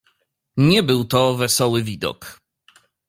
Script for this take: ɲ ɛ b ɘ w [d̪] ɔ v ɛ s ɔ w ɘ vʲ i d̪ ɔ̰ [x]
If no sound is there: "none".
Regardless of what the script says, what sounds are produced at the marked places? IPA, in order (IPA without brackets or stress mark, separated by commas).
t̪, k